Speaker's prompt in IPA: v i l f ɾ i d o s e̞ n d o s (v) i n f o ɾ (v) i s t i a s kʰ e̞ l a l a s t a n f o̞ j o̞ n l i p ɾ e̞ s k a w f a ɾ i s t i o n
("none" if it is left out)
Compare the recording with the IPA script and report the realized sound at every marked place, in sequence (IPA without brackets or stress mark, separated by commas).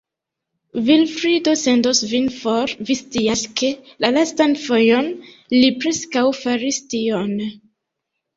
v, v